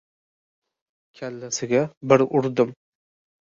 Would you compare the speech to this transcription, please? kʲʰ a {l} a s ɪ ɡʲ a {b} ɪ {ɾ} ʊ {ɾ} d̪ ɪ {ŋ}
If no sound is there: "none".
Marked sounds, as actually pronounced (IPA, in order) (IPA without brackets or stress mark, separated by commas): lː, b, ɾ, ɾ, m